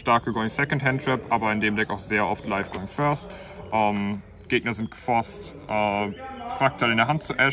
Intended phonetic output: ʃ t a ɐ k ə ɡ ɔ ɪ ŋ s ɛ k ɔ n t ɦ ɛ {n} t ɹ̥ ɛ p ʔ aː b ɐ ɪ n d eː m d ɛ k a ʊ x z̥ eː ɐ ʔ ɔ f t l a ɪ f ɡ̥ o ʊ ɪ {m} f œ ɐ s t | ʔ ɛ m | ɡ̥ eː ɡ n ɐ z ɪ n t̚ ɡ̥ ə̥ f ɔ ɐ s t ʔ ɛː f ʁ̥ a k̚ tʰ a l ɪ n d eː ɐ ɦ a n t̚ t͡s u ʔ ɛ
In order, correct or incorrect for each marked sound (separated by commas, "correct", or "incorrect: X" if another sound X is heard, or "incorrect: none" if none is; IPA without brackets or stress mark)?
correct, incorrect: ŋ